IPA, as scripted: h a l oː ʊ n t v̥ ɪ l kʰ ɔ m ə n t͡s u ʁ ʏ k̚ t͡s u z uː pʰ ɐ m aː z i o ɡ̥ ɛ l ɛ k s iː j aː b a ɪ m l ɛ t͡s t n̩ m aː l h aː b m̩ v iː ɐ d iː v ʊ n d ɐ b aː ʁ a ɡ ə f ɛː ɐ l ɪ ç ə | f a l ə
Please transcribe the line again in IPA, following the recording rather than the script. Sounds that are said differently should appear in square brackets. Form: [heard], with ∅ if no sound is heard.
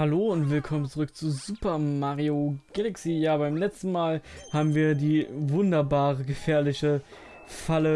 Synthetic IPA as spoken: h a l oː ʊ n t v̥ ɪ l kʰ ɔ m ə n t͡s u ʁ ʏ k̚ t͡s u z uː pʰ ɐ m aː [ʁ] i o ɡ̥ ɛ l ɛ k s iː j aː b a ɪ m l ɛ t͡s t n̩ m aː l h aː b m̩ v iː ɐ d iː v ʊ n d ɐ b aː ʁ [ə] ɡ ə f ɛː ɐ l ɪ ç ə | f a l ə